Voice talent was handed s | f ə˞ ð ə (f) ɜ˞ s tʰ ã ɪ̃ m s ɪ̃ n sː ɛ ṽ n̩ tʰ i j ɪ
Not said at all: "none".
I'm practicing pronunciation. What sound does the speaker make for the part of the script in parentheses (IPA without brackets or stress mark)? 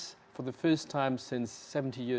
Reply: f